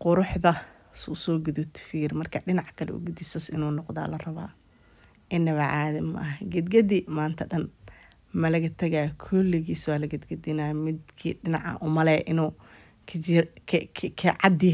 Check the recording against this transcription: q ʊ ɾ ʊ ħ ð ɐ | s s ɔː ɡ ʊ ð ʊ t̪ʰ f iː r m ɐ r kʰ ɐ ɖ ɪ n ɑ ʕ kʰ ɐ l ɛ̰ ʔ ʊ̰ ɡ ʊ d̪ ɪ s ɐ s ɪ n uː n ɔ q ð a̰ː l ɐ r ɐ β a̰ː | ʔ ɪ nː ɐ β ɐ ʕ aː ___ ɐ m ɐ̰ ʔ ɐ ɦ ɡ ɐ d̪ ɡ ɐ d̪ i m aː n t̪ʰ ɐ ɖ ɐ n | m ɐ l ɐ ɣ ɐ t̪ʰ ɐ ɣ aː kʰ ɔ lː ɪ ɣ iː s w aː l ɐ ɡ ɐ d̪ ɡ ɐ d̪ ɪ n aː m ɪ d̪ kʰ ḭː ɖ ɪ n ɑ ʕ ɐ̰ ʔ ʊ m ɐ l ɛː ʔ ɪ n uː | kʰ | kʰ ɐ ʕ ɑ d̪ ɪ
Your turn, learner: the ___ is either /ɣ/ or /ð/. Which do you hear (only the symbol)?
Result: ð